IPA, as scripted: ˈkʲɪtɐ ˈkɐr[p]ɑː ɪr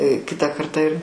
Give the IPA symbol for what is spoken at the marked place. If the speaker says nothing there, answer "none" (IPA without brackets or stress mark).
t